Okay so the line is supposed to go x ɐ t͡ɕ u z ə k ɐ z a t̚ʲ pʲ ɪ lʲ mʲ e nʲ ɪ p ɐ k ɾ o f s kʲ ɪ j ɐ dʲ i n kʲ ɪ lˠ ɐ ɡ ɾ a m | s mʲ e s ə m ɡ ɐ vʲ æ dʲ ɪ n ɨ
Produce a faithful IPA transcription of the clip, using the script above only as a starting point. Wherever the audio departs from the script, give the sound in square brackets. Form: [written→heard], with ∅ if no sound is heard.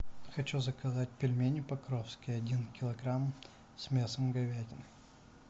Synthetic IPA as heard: x ɐ t͡ɕ u z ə k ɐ z a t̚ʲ pʲ ɪ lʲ mʲ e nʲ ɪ p ɐ k ɾ o f s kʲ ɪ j ɐ dʲ i n kʲ ɪ lˠ ɐ ɡ ɾ a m | s mʲ e s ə m ɡ ɐ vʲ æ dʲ ɪ n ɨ